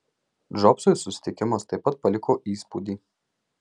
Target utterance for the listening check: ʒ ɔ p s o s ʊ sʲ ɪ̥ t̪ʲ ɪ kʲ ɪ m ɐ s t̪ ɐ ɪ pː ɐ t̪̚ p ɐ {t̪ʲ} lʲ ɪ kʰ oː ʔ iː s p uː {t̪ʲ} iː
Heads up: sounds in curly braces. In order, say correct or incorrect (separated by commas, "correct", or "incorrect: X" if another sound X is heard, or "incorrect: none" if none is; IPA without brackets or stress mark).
incorrect: none, incorrect: d̪ʲ